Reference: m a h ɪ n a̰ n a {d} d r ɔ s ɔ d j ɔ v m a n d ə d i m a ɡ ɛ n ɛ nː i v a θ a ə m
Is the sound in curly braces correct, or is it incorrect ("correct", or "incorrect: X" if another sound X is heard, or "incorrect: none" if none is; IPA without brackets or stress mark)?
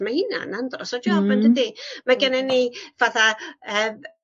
incorrect: n